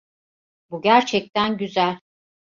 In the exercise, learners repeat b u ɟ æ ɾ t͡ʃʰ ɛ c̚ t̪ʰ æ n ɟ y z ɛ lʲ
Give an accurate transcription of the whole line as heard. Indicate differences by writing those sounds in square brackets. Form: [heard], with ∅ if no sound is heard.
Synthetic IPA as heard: b u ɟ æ ɾ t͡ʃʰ ɛ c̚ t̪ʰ æ n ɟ y z [æ] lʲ